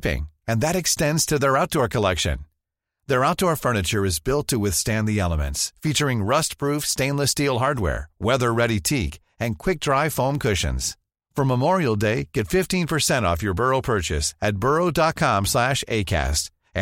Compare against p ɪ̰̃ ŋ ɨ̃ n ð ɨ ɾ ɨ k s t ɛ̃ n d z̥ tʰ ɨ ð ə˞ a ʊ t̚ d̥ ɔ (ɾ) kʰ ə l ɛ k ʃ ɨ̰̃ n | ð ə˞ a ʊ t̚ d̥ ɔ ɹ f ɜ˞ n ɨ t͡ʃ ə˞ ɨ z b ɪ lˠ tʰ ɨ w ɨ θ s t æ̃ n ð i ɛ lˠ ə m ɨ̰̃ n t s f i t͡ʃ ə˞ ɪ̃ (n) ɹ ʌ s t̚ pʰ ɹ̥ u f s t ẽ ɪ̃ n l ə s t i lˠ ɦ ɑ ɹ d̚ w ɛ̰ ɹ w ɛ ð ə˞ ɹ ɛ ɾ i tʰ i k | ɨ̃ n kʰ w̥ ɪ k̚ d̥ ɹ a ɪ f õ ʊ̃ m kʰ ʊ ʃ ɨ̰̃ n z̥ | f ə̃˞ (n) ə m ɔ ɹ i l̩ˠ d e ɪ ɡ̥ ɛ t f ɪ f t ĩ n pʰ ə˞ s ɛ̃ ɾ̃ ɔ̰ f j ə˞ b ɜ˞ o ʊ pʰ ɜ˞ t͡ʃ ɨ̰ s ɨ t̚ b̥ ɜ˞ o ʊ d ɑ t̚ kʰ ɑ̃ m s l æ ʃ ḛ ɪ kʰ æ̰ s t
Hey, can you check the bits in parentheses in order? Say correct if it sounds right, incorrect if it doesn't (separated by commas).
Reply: incorrect, incorrect, incorrect